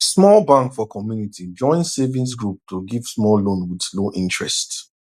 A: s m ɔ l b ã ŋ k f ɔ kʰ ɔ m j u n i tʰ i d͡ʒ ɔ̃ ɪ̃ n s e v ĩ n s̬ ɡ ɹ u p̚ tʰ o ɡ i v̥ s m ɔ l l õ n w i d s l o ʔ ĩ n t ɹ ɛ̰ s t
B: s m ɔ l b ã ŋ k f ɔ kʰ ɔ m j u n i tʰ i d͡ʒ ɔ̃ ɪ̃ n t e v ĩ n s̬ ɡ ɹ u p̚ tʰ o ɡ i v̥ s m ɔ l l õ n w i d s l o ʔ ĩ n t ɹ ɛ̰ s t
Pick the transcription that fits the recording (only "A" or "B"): A